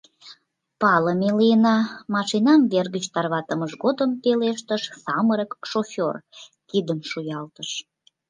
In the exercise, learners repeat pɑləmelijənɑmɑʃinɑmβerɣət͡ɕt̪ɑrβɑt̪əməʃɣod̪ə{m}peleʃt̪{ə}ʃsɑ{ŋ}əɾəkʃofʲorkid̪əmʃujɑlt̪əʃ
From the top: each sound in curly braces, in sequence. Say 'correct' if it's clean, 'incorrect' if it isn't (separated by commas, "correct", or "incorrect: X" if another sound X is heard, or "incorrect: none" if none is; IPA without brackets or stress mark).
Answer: correct, correct, incorrect: m